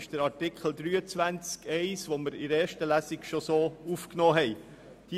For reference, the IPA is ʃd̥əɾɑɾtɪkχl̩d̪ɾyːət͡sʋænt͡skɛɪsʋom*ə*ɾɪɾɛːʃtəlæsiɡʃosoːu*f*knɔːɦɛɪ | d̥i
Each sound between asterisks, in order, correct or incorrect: correct, correct

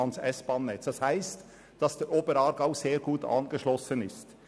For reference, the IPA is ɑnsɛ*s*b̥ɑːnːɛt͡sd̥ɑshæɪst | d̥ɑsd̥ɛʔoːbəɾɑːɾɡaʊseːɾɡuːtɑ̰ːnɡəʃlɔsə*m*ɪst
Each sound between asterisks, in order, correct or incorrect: correct, incorrect

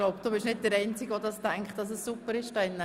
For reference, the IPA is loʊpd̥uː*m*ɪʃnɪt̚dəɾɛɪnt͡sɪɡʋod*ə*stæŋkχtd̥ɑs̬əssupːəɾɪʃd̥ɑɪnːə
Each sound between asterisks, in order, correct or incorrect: incorrect, incorrect

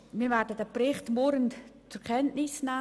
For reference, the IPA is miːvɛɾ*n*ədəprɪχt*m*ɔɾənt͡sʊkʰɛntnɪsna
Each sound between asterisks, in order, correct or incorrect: incorrect, correct

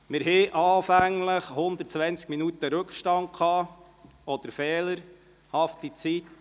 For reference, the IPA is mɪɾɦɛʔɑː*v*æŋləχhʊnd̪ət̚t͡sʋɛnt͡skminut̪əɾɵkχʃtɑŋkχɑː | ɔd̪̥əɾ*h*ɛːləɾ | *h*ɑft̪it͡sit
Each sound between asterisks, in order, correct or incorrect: incorrect, incorrect, correct

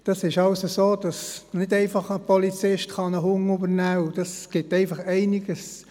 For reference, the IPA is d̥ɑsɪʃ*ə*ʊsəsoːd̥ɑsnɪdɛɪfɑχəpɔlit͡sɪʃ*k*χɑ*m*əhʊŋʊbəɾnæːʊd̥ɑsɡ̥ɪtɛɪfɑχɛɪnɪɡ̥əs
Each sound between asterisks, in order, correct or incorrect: incorrect, incorrect, incorrect

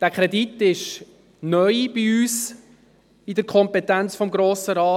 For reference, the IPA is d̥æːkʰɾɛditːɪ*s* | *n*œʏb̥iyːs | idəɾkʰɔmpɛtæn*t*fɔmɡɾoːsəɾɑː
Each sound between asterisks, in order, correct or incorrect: incorrect, correct, incorrect

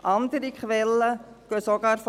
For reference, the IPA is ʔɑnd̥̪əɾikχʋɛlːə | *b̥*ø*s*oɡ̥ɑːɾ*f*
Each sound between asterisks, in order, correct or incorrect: incorrect, correct, correct

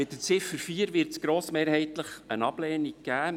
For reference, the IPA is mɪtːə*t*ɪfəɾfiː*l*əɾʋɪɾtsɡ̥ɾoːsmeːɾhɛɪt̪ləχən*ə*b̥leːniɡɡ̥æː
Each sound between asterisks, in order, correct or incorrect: incorrect, incorrect, incorrect

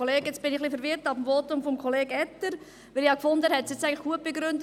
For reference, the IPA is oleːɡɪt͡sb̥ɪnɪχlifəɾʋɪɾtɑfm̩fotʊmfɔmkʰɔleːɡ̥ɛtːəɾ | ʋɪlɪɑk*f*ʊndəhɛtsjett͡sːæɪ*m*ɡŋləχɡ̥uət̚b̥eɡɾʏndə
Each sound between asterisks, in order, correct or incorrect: correct, incorrect

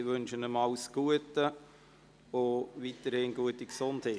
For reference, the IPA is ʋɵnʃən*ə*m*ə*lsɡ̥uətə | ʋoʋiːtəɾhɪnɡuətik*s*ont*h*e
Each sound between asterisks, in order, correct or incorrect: correct, incorrect, correct, correct

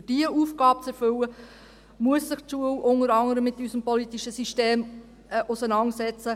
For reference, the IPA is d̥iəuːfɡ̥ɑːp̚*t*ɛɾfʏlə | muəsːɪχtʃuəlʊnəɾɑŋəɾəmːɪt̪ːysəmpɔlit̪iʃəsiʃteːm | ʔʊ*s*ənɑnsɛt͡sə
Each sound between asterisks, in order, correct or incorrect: incorrect, correct

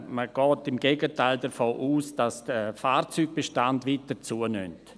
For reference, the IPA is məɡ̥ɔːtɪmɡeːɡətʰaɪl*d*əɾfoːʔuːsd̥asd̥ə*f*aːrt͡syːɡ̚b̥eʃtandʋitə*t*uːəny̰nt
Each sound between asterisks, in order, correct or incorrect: correct, correct, incorrect

